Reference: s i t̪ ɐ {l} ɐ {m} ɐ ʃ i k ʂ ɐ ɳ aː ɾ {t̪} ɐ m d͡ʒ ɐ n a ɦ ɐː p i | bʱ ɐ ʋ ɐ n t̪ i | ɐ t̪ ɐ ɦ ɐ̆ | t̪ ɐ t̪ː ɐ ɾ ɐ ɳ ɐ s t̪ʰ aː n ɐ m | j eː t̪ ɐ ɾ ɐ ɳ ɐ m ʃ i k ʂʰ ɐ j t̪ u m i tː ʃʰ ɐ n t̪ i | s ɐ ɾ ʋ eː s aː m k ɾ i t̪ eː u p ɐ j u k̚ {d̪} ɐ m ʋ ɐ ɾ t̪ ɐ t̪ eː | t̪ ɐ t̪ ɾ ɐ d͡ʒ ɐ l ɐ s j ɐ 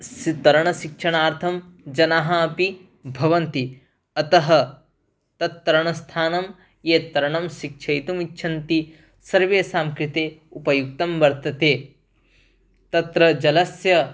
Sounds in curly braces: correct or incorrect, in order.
incorrect, incorrect, incorrect, incorrect

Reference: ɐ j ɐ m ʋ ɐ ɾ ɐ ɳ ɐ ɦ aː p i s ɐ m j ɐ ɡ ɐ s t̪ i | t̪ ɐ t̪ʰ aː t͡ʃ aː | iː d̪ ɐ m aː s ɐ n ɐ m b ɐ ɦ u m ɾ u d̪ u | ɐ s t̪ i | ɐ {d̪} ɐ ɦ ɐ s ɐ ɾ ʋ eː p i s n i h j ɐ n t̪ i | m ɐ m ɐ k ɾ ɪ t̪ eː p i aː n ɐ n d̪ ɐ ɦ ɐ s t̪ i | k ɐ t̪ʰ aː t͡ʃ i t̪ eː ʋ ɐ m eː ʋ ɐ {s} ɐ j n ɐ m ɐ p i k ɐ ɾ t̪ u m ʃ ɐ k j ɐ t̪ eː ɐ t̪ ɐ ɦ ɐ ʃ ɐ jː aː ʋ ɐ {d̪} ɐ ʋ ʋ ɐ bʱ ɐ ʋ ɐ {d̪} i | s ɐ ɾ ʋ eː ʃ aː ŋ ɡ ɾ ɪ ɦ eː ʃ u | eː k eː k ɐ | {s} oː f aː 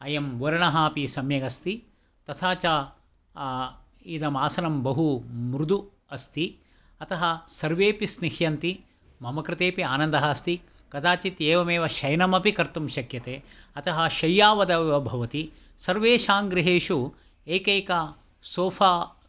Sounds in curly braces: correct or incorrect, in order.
incorrect, incorrect, correct, incorrect, correct

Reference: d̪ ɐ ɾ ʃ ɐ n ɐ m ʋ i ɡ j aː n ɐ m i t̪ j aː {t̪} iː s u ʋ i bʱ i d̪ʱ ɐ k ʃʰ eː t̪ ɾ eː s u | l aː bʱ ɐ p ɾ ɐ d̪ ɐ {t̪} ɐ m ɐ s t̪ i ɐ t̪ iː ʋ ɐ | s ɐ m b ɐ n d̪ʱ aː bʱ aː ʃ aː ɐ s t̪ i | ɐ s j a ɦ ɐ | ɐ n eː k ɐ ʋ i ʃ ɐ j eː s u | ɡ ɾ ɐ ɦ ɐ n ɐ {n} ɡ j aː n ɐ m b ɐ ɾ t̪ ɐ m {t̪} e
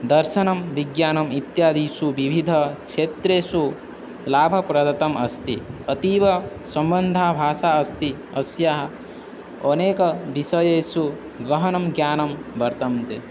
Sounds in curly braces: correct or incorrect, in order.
incorrect, correct, incorrect, correct

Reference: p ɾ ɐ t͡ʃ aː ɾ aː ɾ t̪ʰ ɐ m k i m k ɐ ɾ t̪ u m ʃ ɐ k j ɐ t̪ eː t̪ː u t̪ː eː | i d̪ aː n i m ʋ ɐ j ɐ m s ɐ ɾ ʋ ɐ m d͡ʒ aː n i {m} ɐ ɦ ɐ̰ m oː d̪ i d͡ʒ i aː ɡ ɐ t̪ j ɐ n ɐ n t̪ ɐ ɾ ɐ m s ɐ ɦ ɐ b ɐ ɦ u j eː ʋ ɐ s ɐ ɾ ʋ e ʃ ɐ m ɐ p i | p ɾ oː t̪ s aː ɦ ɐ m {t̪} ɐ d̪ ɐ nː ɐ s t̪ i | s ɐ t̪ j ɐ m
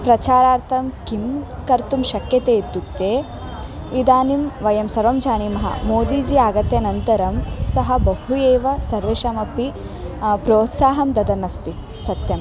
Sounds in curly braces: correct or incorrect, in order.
correct, incorrect

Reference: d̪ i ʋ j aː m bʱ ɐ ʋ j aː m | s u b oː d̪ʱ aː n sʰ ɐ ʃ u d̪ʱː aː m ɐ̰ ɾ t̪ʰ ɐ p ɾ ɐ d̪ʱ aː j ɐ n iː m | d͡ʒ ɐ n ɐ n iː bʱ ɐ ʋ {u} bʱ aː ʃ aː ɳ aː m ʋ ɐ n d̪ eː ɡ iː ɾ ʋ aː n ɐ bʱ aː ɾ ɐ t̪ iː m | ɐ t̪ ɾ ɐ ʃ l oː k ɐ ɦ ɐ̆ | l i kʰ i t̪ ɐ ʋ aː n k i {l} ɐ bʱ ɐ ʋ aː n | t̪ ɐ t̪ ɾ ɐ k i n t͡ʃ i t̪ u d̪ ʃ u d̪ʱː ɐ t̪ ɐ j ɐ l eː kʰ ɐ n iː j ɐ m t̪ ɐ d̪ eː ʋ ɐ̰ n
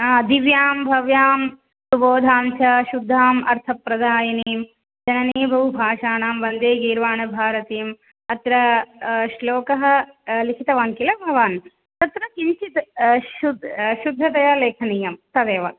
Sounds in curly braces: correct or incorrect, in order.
correct, correct

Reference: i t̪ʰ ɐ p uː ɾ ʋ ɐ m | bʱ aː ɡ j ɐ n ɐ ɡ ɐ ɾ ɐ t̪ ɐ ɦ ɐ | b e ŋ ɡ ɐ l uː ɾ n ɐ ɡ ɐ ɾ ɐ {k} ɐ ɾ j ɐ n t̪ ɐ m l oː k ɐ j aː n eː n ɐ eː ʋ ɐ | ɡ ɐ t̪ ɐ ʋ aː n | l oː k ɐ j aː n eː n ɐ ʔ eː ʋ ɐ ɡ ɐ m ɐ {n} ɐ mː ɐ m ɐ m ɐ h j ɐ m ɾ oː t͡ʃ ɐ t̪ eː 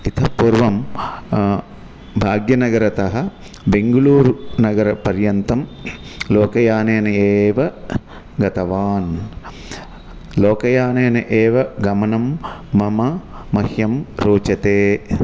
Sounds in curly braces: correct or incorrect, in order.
incorrect, correct

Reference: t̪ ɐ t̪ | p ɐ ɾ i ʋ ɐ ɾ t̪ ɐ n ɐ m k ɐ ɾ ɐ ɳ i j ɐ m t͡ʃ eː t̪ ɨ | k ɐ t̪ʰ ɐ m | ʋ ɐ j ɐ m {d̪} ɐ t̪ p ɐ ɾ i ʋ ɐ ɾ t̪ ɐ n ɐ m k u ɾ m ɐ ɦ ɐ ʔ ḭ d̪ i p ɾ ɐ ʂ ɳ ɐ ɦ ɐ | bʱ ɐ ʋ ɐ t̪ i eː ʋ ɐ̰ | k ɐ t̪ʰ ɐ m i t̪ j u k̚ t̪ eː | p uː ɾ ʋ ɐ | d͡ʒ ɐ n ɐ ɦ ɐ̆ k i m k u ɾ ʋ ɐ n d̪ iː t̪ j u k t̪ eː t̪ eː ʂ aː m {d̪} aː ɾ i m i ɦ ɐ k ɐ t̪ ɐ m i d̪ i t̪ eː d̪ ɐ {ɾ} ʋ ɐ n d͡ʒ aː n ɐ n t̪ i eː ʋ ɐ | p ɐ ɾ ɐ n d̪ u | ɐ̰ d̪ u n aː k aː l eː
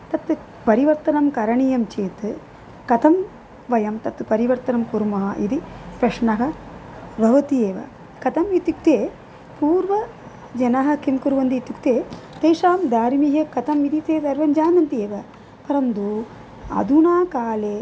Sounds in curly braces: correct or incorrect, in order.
incorrect, correct, correct

